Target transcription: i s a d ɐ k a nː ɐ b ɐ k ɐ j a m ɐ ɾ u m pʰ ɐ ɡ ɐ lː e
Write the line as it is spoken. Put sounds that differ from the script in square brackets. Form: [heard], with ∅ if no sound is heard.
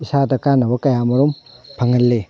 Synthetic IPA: i s a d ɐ k a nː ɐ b ɐ k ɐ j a m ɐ ɾ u m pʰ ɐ [ŋ] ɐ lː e